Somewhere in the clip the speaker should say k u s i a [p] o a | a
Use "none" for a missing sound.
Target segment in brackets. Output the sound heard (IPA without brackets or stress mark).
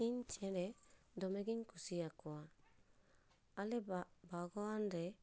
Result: k